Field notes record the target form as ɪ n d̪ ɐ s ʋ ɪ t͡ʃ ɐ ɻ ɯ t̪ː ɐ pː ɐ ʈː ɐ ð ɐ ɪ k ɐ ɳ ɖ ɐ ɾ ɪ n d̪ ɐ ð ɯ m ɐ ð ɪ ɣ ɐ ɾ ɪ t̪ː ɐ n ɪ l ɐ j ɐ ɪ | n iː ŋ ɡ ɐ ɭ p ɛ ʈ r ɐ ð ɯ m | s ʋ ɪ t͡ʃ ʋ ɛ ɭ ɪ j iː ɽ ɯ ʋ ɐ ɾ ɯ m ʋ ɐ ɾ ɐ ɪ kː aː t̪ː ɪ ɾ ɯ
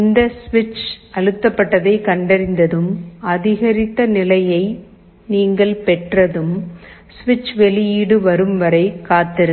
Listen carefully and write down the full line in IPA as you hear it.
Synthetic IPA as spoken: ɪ n d̪ ɐ s ʋ ɪ t͡ʃ ɐ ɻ ɯ t̪ː ɐ pː ɐ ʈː ɐ ð ɐ ɪ k ɐ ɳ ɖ ɐ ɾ ɪ n d̪ ɐ ð ɯ m ɐ ð ɪ ɣ ɐ ɾ ɪ t̪ː ɐ n ɪ l ɐ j ɐ ɪ | n iː ŋ ɡ ɐ ɭ p ɛ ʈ r ɐ ð ɯ m | s ʋ ɪ t͡ʃ ʋ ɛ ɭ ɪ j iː ɽ ɯ ʋ ɐ ɾ ɯ m ʋ ɐ ɾ ɐ ɪ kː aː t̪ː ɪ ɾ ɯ